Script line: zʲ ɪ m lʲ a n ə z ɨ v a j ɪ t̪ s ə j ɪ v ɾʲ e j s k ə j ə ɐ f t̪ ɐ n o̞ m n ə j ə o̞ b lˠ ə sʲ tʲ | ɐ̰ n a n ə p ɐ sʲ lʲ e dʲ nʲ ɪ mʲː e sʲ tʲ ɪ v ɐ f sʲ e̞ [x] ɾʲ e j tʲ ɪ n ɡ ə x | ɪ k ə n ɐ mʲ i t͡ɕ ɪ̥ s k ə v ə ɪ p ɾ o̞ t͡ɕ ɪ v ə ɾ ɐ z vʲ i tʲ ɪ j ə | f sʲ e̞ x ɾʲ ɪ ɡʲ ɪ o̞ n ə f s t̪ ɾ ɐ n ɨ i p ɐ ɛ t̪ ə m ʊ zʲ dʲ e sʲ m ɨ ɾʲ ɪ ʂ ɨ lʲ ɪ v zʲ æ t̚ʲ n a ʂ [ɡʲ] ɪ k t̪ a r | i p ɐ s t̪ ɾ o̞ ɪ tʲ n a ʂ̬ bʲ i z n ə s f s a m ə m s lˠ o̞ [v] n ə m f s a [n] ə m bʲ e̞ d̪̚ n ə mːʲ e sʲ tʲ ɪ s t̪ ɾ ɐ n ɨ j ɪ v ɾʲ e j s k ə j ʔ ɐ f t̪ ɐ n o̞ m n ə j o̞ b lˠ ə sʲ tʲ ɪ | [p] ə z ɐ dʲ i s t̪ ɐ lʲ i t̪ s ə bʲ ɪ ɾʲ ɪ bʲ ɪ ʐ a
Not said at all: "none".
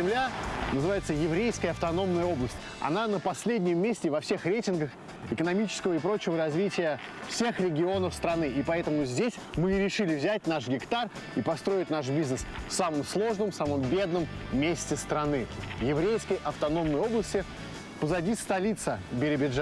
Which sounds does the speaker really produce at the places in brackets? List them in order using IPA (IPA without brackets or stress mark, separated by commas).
x, ɡʲ, ʐ, m, p